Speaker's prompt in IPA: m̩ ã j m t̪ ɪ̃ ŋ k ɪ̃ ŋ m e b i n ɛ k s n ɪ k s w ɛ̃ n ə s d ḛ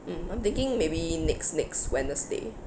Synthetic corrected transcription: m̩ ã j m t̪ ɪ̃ ŋ k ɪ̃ ŋ m e b i n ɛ k s n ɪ k s w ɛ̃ n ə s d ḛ